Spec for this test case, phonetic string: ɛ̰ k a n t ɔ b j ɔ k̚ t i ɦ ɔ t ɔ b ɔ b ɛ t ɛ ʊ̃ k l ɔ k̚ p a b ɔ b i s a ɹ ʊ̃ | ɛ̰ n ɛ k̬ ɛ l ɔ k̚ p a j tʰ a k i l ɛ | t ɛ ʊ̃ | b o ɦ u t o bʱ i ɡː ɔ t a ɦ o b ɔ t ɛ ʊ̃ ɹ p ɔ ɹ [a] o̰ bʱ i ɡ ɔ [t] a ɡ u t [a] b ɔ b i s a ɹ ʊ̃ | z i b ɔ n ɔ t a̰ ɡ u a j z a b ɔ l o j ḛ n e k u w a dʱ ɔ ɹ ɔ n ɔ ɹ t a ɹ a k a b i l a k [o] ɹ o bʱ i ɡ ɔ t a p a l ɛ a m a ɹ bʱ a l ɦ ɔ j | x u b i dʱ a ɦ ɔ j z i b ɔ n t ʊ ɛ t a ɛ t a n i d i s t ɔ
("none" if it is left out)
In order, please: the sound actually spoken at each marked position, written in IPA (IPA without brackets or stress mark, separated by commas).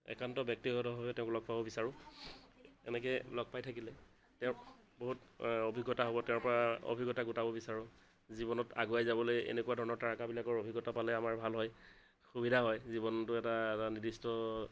a, t, a, ɔ